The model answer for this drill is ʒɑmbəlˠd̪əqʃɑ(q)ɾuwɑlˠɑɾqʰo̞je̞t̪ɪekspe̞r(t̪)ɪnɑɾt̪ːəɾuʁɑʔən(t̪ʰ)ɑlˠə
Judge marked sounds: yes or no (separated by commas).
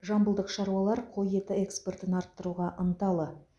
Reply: no, yes, no